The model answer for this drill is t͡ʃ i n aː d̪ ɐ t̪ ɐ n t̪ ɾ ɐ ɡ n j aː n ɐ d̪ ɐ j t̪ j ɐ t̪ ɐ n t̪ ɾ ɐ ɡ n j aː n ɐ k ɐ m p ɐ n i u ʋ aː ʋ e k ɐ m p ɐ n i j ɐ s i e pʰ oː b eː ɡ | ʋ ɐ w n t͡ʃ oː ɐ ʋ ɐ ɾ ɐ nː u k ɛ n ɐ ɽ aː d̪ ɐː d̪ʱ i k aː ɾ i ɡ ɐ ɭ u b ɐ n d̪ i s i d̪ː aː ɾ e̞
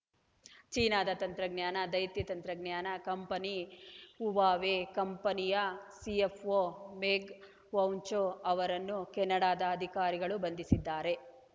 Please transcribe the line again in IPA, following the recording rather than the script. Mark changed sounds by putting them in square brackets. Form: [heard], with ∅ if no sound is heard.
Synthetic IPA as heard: t͡ʃ [iː] n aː d̪ ɐ t̪ ɐ n t̪ ɾ ɐ ɡ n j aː n ɐ d̪ ɐ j t̪ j ɐ t̪ ɐ n t̪ ɾ ɐ ɡ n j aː n ɐ k ɐ m p ɐ n i u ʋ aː ʋ e k ɐ m p ɐ n i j ɐ s i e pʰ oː [m] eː ɡ | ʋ ɐ w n t͡ʃ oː ɐ ʋ ɐ ɾ ɐ nː u k ɛ [nː] ɐ ɽ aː d̪ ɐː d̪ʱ i k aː ɾ i ɡ ɐ ɭ u b ɐ n d̪ i s i d̪ː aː ɾ e̞